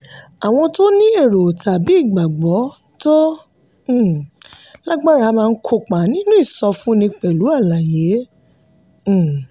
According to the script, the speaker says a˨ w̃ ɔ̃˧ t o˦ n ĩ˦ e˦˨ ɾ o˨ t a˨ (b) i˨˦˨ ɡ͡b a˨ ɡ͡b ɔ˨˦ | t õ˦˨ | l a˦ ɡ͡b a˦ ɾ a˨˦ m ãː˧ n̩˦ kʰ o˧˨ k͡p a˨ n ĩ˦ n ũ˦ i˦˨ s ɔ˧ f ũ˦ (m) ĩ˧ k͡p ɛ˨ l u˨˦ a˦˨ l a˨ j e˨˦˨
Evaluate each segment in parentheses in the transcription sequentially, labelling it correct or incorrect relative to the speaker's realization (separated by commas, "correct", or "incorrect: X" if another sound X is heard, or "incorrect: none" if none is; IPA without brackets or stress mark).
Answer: correct, incorrect: n